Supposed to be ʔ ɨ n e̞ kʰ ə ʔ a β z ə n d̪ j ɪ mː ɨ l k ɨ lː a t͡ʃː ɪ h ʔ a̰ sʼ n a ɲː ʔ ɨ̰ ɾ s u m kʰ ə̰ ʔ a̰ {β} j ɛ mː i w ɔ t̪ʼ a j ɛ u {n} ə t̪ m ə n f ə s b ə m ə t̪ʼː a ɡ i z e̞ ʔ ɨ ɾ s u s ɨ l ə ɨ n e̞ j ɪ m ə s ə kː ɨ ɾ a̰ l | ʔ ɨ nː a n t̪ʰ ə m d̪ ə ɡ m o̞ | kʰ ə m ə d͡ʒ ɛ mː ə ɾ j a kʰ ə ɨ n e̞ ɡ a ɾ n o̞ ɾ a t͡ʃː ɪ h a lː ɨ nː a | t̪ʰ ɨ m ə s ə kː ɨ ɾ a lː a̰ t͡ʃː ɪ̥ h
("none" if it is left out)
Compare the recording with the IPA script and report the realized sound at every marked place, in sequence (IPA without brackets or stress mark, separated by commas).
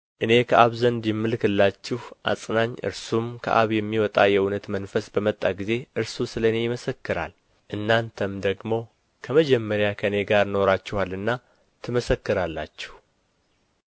β, n